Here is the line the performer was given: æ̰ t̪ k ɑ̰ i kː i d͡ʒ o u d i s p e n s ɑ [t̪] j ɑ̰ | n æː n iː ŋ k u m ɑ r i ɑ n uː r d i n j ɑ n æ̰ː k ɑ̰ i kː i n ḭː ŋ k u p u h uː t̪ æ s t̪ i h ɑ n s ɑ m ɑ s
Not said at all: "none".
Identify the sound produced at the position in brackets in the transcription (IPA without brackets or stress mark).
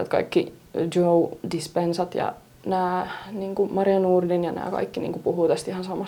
t̪